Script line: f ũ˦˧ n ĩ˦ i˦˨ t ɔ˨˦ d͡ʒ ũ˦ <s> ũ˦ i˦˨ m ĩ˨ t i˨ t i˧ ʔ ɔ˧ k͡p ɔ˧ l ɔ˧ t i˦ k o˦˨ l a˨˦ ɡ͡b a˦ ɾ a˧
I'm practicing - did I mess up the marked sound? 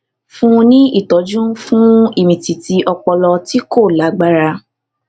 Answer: yes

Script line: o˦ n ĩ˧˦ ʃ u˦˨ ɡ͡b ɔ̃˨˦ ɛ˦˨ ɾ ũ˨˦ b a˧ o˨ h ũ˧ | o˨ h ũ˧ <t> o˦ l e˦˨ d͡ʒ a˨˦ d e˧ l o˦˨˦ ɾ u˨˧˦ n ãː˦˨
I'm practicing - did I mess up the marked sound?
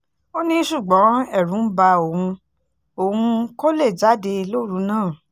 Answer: yes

